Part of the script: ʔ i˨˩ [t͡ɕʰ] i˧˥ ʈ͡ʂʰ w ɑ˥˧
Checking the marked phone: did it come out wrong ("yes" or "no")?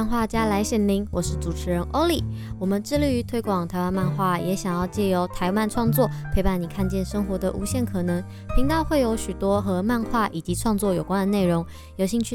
yes